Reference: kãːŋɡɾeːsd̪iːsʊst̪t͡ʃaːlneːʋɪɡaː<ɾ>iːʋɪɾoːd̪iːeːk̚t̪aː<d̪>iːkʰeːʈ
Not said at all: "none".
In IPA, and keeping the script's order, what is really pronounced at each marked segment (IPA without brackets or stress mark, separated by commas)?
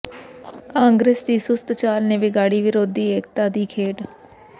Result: ɽ, d̪